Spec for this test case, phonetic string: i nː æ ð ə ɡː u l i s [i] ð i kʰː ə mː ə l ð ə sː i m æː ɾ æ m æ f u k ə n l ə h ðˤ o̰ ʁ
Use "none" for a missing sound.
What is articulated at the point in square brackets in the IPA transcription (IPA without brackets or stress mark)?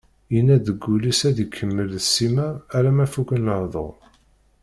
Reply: æ